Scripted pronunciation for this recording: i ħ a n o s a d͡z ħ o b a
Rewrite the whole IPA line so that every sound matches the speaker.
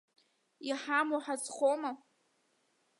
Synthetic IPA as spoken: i ħ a m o ħ a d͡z χ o m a